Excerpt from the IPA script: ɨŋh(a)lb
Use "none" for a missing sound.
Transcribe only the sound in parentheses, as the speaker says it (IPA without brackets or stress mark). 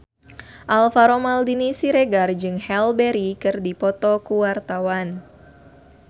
ɛ